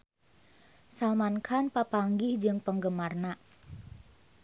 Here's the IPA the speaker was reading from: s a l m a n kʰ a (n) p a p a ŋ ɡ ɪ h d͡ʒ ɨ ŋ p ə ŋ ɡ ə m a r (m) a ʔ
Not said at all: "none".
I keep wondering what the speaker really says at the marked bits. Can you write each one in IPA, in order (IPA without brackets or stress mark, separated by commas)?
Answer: n, n